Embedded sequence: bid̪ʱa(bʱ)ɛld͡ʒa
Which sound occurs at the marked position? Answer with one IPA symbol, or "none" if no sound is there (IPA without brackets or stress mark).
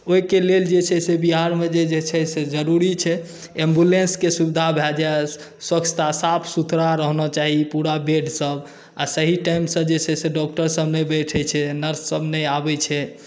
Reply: bʱ